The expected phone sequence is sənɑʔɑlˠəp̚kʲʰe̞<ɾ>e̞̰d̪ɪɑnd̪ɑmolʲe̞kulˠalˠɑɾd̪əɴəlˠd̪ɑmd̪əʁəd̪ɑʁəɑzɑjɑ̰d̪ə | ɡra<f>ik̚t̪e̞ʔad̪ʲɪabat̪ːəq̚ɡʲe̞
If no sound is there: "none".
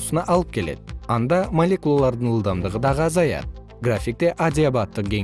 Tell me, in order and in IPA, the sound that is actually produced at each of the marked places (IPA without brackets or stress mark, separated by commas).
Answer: l, f